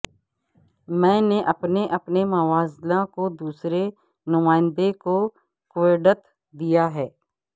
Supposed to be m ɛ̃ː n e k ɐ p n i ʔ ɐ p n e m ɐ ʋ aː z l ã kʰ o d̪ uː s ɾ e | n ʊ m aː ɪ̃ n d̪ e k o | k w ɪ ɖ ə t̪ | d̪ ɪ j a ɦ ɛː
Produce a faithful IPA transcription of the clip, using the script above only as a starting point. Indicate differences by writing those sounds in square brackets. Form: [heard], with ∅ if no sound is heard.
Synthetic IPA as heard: m ɛ̃ː n e [ʔ] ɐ p n [e] ʔ ɐ p n e m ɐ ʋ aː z l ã [k] o d̪ uː s ɾ e | n ʊ m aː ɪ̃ n d̪ e k o | k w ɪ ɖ ə t̪ | d̪ [i] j a ɦ ɛː